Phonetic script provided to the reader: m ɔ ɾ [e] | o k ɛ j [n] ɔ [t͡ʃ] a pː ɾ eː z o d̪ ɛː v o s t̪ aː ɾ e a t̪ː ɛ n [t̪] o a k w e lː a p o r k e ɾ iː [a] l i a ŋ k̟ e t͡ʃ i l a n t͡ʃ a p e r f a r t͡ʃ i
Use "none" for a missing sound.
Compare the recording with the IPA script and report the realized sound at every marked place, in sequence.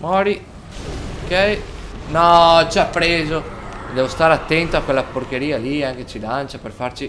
i, n, t͡ʃ, t̪, a

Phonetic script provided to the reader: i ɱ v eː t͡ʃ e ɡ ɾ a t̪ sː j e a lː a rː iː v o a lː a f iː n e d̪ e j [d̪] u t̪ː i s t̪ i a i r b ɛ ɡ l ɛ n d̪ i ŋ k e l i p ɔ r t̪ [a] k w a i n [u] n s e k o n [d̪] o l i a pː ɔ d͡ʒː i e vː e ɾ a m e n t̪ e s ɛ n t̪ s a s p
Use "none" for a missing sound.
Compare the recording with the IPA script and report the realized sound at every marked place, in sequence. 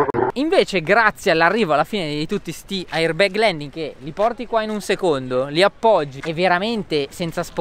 t̪, i, u, d̪

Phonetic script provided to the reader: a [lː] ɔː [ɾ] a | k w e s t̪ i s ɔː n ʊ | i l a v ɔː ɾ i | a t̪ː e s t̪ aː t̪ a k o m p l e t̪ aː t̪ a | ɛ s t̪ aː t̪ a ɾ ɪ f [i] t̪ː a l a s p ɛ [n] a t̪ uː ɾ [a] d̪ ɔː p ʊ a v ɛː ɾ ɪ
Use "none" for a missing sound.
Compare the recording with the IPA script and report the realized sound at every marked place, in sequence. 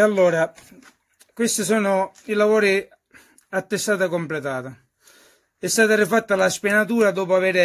lː, ɾ, a, n, a

